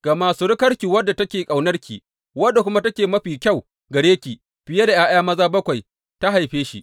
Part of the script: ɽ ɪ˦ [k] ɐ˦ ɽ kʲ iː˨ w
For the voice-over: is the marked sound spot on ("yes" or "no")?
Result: yes